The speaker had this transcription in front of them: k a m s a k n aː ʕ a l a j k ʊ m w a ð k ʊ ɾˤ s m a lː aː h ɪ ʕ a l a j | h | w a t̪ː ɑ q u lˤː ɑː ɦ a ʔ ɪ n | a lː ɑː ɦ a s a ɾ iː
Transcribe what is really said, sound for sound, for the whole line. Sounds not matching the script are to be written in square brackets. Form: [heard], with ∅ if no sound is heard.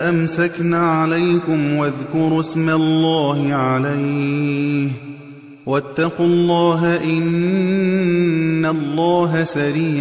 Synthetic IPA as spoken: [ʔ] a m s a k n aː ʕ a l a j k ʊ m w a ð k ʊ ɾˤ s m a lː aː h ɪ ʕ a l a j | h | w a t̪ː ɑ q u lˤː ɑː ɦ a ʔ ɪ n | a lː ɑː ɦ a s a ɾ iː